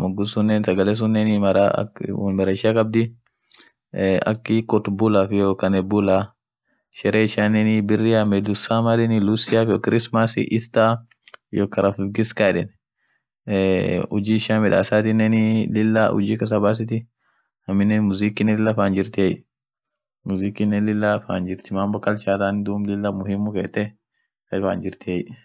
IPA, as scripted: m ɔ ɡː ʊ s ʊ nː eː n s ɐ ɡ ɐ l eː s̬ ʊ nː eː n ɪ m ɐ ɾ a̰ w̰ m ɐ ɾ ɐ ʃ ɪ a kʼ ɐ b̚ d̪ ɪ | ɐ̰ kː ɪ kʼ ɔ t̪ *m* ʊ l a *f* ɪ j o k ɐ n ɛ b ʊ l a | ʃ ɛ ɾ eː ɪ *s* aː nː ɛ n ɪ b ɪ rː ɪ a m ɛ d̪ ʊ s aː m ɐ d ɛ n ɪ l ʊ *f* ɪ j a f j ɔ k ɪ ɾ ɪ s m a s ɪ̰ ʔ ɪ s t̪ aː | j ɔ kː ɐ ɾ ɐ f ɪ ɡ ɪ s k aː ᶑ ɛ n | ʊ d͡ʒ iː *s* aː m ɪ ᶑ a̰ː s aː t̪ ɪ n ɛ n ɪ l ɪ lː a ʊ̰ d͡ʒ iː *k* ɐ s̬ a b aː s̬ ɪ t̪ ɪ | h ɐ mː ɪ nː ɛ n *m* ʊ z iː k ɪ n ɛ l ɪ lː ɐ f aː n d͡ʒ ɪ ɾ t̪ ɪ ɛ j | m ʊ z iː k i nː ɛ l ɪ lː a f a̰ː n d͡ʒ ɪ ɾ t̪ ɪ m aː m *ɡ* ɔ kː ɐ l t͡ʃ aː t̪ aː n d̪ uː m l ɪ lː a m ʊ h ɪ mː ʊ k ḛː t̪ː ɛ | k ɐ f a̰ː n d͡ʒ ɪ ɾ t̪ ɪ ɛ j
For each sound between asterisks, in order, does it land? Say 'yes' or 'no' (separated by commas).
no, yes, no, no, no, yes, yes, no